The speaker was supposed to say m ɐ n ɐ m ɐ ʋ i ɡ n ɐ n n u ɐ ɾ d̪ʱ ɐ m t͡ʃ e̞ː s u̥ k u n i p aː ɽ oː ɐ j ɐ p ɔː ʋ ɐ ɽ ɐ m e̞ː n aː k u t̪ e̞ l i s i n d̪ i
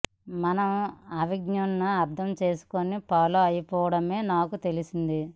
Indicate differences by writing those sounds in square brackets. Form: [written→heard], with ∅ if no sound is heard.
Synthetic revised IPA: m ɐ n ɐ m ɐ ʋ i ɡ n ɐ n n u ɐ ɾ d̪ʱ ɐ m t͡ʃ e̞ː s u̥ k [u→o] n i p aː [ɽ→l] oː ɐ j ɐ p ɔː ʋ ɐ ɽ ɐ m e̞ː n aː k u t̪ e̞ l i s i n d̪ i